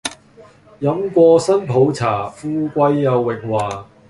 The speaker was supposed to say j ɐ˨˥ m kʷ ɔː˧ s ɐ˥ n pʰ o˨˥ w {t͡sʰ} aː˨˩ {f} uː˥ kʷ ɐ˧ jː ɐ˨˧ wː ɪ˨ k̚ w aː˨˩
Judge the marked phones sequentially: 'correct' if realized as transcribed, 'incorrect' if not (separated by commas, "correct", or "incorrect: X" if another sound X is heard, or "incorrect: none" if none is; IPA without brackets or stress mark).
correct, correct